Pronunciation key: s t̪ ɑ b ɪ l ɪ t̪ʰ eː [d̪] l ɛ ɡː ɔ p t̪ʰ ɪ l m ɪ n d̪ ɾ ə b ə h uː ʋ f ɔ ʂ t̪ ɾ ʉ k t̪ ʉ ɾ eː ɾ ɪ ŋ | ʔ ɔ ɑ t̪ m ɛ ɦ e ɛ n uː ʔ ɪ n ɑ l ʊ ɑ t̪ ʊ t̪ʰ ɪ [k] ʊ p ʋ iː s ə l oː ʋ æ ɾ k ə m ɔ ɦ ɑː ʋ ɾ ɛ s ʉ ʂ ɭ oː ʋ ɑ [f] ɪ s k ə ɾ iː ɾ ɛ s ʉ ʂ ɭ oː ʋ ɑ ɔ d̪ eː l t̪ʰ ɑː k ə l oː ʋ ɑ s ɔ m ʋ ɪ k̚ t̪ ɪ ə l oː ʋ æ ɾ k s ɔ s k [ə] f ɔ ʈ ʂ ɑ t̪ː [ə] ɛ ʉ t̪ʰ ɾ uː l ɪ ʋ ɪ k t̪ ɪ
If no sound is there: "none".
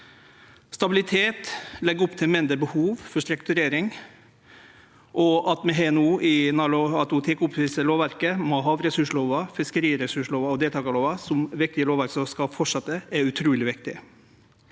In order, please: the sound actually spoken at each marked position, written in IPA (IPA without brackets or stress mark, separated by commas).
t̪, k, f, ɑ, ə